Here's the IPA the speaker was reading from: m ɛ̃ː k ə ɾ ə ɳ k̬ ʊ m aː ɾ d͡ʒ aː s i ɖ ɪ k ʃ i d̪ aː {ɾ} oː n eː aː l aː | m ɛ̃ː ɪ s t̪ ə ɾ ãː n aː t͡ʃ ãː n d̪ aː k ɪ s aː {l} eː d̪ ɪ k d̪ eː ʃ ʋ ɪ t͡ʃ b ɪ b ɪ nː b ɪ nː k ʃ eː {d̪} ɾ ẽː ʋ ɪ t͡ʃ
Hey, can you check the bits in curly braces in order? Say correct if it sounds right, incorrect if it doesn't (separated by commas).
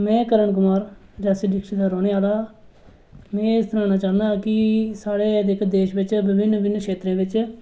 correct, incorrect, incorrect